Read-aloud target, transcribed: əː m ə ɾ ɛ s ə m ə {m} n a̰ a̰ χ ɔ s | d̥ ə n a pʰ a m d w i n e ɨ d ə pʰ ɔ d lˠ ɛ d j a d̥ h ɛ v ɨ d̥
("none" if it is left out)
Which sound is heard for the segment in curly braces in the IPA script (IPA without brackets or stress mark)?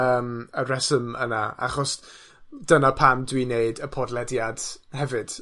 none